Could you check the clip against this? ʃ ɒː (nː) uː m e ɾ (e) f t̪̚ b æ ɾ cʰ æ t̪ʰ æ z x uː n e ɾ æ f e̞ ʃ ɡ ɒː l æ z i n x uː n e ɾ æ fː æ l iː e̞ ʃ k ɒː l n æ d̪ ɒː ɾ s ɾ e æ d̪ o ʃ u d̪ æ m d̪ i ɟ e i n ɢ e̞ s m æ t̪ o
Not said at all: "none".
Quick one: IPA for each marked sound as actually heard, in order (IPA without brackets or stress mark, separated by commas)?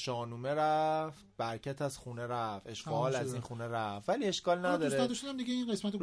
n, æ